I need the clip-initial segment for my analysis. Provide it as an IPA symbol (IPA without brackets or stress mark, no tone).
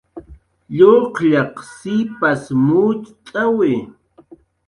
ʎ